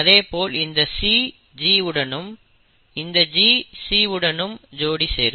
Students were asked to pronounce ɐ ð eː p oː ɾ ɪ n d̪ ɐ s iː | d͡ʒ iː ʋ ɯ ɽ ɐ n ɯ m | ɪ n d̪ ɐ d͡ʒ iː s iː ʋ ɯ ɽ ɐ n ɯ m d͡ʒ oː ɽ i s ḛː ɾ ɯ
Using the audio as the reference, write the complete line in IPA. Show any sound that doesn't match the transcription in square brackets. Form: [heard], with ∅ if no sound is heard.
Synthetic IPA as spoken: ɐ ð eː p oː [l] ɪ n d̪ ɐ s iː | d͡ʒ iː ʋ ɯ ɽ ɐ n ɯ m | ɪ n d̪ ɐ d͡ʒ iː s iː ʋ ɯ ɽ ɐ n ɯ m d͡ʒ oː ɽ i s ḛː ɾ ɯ